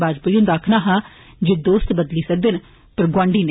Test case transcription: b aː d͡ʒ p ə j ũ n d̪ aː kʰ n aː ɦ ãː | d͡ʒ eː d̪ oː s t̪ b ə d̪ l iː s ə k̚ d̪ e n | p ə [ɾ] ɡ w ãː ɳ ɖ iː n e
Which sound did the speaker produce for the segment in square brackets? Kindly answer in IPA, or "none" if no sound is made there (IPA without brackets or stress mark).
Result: ɾ